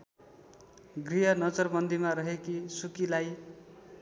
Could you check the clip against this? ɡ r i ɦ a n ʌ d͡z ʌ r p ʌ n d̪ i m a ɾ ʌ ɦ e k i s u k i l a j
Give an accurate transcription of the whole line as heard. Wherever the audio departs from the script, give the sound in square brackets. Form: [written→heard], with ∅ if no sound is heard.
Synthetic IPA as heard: ɡ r i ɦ [a→ʌ] n ʌ d͡z ʌ r [p→b] ʌ n d̪ i m a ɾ ʌ ɦ e k i s u k i l a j